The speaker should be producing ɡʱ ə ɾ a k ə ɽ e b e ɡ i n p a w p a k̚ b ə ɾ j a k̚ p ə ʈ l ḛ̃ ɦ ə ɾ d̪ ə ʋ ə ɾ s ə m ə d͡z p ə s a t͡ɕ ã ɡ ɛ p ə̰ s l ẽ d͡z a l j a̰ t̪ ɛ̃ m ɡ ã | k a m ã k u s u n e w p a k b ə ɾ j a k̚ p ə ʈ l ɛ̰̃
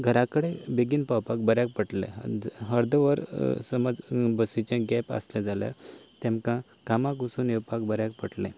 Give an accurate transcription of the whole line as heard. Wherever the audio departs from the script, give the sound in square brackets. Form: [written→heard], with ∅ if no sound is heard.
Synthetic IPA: ɡʱ ə ɾ a k ə ɽ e b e ɡ i n p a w p a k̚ b ə ɾ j a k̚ p ə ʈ l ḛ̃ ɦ ə ɾ d̪ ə ʋ ə ɾ s ə m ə d͡z [p→b] ə s [a→i] t͡ɕ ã ɡ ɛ p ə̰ s l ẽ d͡z a l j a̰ t̪ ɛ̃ m [ɡ→k] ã | k a m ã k u s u n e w p a k b ə ɾ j a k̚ p ə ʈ l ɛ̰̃